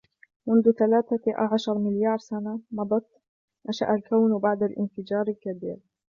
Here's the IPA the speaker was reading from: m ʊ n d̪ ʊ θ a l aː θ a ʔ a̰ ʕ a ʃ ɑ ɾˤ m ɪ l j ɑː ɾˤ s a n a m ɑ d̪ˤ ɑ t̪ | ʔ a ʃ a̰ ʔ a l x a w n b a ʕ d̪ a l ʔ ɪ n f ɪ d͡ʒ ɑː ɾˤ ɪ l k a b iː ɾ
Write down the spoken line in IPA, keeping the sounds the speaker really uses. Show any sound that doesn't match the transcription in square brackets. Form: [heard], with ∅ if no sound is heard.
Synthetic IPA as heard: m ʊ n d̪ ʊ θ a l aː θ a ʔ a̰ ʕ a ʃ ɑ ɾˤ m ɪ l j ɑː ɾˤ s a n a m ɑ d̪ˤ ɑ t̪ | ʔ a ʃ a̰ ʔ a l [k] a w n b a ʕ d̪ a l ʔ ɪ n f ɪ d͡ʒ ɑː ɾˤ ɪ l k a b iː ɾ